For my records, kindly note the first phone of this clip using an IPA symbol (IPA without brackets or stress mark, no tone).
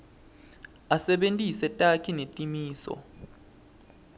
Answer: a